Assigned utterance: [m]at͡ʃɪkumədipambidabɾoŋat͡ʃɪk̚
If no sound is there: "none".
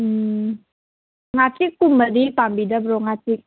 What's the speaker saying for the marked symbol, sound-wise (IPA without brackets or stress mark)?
ŋ